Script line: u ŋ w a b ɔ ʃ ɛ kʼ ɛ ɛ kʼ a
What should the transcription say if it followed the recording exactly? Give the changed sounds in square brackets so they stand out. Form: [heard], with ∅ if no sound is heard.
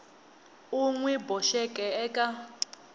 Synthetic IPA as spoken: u ŋ w [ɛ] b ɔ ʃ ɛ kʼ ɛ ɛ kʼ a